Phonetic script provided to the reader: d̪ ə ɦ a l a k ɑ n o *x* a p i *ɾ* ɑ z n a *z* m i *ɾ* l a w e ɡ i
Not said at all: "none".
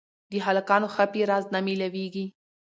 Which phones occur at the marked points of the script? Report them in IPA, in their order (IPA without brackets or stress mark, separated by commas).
x, ɾ, none, none